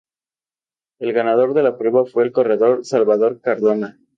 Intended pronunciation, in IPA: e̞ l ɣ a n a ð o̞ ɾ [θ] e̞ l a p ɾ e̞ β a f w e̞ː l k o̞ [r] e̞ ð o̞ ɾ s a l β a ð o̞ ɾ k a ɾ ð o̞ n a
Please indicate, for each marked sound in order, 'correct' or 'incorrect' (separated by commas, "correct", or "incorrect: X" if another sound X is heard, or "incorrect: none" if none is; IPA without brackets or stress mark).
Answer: incorrect: ð, correct